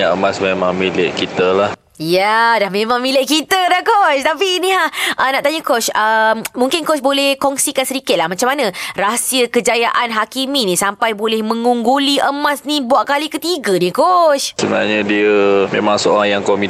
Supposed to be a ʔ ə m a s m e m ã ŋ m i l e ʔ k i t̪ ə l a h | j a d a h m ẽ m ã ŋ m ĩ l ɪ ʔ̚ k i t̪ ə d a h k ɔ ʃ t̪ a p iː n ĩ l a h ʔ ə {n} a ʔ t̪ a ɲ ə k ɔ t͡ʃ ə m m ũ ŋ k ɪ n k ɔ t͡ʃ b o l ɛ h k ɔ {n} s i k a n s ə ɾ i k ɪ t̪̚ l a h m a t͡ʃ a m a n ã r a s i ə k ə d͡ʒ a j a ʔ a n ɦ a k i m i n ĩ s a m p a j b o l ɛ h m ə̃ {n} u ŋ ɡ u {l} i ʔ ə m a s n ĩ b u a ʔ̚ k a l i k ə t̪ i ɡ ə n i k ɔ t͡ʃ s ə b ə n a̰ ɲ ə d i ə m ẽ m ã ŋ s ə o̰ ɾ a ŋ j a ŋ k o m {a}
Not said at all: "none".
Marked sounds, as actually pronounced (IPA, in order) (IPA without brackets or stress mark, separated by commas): n, ŋ, ŋ, l, i